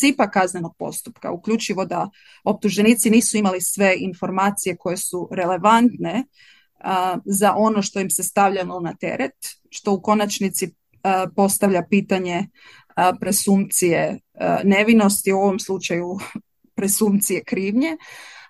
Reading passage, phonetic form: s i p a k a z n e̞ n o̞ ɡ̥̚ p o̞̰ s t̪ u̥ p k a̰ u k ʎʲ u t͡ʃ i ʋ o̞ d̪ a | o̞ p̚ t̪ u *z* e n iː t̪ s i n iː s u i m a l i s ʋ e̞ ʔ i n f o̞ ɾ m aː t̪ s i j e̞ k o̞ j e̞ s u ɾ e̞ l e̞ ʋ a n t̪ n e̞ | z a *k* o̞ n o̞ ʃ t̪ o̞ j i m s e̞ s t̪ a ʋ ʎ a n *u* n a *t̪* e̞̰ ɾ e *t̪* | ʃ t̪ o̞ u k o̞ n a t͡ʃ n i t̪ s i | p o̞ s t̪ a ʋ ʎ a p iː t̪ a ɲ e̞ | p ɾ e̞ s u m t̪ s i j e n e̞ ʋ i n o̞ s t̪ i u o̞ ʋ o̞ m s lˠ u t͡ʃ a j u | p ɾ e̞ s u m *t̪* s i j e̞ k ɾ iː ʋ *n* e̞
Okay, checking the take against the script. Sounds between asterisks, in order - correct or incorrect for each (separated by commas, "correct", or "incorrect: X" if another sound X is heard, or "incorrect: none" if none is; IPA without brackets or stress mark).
incorrect: ʒ, incorrect: ʔ, incorrect: o, correct, correct, correct, incorrect: ɲ